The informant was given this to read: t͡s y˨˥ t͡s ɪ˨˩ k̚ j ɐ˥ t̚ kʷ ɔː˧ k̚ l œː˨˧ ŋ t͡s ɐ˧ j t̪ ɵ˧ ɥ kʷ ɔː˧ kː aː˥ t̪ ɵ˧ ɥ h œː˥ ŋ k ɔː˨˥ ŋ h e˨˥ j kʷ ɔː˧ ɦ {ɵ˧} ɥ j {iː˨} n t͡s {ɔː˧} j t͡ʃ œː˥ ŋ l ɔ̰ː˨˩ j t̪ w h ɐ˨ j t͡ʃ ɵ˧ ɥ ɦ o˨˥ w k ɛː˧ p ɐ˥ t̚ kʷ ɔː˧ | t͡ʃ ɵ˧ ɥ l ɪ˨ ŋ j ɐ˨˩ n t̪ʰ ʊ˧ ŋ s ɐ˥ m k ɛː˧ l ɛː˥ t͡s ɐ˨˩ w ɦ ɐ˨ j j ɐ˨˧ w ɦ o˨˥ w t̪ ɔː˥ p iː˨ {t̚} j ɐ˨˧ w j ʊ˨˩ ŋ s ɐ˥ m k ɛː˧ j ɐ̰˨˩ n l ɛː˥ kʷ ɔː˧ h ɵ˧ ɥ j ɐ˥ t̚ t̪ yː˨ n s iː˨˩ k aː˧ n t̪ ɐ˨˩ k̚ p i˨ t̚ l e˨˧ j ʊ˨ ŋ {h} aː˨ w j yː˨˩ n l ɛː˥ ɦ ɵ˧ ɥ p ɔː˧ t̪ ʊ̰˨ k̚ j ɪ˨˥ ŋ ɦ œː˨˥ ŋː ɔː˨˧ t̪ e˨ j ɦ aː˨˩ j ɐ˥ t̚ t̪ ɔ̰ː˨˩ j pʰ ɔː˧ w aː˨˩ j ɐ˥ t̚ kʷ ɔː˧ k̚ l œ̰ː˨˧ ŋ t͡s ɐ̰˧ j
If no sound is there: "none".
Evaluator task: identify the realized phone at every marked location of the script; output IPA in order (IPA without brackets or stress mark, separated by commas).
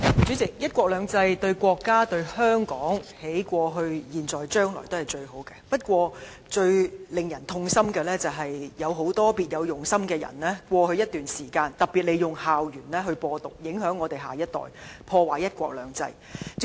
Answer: ɵ˧, iː˨, ɔː˨˩, t̚, h